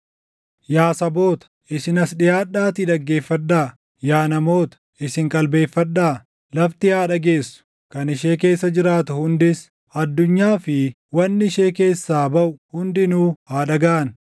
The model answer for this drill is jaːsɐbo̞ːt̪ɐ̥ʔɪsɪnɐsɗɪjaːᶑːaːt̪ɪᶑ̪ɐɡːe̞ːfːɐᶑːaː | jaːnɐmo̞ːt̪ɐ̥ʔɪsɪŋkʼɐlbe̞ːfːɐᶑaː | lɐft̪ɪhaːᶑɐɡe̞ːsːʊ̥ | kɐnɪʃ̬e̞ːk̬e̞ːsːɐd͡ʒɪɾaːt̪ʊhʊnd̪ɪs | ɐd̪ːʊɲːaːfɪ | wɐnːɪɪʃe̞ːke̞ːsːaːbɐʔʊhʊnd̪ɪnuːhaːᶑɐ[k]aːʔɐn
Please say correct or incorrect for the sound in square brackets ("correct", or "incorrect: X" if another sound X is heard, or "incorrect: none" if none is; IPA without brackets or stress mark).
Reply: incorrect: ɡ